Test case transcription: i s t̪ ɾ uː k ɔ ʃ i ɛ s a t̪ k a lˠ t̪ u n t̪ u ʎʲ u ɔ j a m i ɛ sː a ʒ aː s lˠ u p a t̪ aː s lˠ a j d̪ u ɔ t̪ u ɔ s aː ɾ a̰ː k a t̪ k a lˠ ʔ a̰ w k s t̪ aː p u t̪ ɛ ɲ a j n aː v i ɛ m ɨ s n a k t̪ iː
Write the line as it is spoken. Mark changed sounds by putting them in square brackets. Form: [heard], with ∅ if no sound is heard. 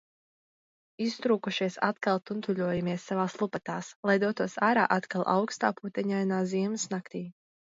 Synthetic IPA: i s t̪ ɾ uː k [u] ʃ i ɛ s a t̪ k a lˠ t̪ u n t̪ u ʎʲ u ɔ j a m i ɛ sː a [v] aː s lˠ u p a t̪ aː s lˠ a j d̪ u ɔ t̪ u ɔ s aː ɾ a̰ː [ʔ] a t̪ k a lˠ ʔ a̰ w k s t̪ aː p u t̪ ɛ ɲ a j n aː [z] i ɛ m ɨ s n a k t̪ iː